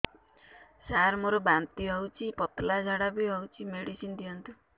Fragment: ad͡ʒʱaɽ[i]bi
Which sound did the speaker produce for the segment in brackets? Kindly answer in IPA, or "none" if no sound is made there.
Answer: a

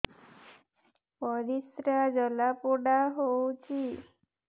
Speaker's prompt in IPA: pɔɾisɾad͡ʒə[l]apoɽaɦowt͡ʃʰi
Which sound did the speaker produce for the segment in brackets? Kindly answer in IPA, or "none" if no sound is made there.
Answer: l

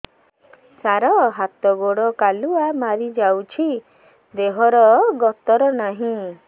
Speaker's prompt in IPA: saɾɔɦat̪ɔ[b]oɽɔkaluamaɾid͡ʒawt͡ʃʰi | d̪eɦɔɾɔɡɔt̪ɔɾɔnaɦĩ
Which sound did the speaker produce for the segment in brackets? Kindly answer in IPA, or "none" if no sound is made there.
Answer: ɡ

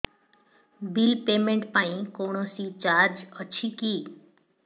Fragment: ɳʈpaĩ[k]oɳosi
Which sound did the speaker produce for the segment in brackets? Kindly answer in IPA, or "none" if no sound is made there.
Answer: k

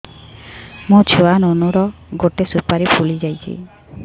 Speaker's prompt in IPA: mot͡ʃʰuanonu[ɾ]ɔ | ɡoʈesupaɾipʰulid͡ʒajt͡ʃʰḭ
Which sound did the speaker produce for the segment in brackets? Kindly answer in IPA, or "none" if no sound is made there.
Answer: ɾ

